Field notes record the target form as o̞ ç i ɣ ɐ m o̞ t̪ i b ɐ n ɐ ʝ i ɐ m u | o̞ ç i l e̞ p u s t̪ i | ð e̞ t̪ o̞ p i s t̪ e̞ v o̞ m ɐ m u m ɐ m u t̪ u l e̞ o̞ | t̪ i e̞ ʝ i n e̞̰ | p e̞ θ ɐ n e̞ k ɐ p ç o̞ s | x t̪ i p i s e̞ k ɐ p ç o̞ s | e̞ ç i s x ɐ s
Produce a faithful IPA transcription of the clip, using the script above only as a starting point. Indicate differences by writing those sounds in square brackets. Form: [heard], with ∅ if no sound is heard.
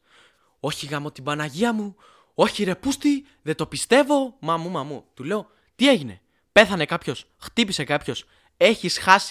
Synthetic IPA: o̞ ç i ɣ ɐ m o̞ t̪ i b ɐ n ɐ ʝ i ɐ m u | o̞ ç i [ɾ] e̞ p u s t̪ i | ð e̞ t̪ o̞ p i s t̪ e̞ v o̞ m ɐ m u m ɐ m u t̪ u l e̞ o̞ | t̪ i e̞ ʝ i n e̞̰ | p e̞ θ ɐ n e̞ k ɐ p ç o̞ s | x t̪ i p i s e̞ k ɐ p ç o̞ s | e̞ ç i s x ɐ s